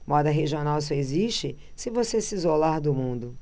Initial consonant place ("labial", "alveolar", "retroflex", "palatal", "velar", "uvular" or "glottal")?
labial